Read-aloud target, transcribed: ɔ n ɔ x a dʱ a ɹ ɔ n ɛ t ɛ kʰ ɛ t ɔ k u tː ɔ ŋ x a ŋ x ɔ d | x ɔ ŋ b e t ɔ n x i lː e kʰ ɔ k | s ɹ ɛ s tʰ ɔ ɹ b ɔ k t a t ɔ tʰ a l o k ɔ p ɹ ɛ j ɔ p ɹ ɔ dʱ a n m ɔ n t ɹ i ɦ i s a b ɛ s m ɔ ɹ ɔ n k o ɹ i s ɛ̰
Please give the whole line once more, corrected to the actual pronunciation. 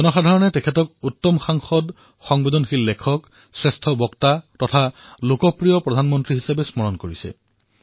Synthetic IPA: ɔ n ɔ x a dʱ a ɹ ɔ n ɛ t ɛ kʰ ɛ t ɔ k u tː ɔ m x a ŋ x ɔ d | x ɔ ŋ b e d ɔ n x i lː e kʰ ɔ k | s ɹ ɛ s tʰ ɔ b ɔ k t a t ɔ tʰ a l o k ɔ p ɹ i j ɔ p ɹ ɔ dʱ a n m ɔ n t ɹ i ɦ i s a b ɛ s m ɔ ɹ ɔ n k o ɹ i s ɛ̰

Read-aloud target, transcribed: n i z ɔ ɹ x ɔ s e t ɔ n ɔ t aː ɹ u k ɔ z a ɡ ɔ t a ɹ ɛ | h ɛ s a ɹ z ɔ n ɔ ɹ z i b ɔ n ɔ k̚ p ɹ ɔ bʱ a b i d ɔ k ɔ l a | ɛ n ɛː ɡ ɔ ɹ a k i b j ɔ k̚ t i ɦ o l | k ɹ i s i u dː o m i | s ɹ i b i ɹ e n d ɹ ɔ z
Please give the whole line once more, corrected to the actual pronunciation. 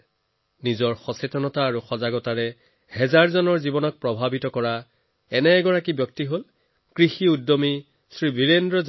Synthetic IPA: n i z ɔ ɹ x ɔ s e t ɔ n ɔ t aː ɹ u x ɔ z a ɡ ɔ t a ɹ ɛ | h ɛ z a ɹ z ɔ n ɔ ɹ z i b ɔ n ɔ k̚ p ɹ ɔ bʱ a b i t ɔ k ɔ ɹ a | ɛ n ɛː ɡ ɔ ɹ a k i b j ɔ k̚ t i ɦ o l | k ɹ i x i u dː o m i | s ɹ i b i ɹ e n d ɹ ɔ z

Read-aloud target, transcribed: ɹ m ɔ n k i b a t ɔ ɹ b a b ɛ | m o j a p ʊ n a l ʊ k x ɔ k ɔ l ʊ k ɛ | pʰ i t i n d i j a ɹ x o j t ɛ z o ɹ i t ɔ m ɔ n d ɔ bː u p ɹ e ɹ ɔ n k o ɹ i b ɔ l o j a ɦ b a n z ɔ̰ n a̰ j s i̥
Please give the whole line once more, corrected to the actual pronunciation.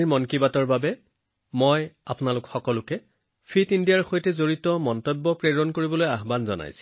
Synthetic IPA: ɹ m ɔ n k i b a t ɔ ɹ b a b ɛ | m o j a p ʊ n a l ʊ k x ɔ k ɔ l ʊ k ɛ | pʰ i t i n d i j a ɹ x o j t ɛ z o ɹ i t ɔ m ɔ n t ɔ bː ɔ p ɹ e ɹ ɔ n k o ɹ i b ɔ l o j a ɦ b a n z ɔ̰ n a̰ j s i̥

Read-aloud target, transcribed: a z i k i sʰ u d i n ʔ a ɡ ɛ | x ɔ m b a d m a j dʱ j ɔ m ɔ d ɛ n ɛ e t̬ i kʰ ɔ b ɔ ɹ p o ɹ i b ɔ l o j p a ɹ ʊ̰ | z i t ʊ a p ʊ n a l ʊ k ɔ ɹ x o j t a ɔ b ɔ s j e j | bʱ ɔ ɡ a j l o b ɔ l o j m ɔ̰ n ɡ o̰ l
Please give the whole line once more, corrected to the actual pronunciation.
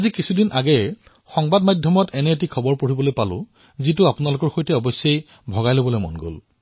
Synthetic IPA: a z i k i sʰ u d i n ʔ a ɡ ɛ | x ɔ ŋ b a d m a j dʱ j ɔ m ɔ t ɛ n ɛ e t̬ i kʰ ɔ b ɔ ɹ p o ɹ i b ɔ l o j p a l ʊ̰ | z i t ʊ a p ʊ n a l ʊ k ɔ ɹ x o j t ɛ ɔ b ɔ s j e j | bʱ ɔ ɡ a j l o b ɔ l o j m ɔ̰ n ɡ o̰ l

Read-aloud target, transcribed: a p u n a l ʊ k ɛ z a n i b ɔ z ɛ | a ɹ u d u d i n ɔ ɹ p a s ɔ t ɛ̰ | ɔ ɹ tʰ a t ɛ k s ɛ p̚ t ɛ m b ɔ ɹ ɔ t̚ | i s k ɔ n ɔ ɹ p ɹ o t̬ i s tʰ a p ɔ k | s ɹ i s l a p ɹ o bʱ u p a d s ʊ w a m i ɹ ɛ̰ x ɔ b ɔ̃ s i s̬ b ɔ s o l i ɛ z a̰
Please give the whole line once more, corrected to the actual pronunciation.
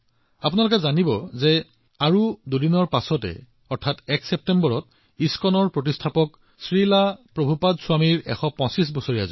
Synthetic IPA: a p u n a l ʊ k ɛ z a n i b ɔ z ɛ | a ɹ u d u d i n ɔ ɹ p a s ɔ t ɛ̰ | ɔ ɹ tʰ a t ɛ k s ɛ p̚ t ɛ m b ɔ ɹ ɔ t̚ | i s k ɔ n ɔ ɹ p ɹ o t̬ i s tʰ a p ɔ k | s ɹ i l a p ɹ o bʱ u p a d s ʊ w a m i ɹ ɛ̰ x ɔ p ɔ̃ s i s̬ b ɔ s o ɹ i a z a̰

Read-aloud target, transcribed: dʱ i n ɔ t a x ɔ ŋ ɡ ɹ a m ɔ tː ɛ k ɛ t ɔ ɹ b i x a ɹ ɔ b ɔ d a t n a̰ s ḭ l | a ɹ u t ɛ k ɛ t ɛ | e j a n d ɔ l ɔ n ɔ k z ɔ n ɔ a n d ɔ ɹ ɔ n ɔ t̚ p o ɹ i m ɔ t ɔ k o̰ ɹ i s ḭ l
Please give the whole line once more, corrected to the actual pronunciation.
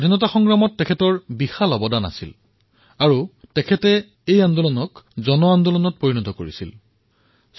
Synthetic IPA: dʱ i n ɔ t a x ɔ ŋ ɡ ɹ a m ɔ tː ɛ kʰ ɛ t ɔ ɹ b i x a l ɔ b ɔ d a n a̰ s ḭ l | a ɹ u t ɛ kʰ ɛ t ɛ | e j a n d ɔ l ɔ n ɔ k z ɔ n ɔ a n d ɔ l ɔ n ɔ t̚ p o ɹ i n ɔ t ɔ k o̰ ɹ i s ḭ l

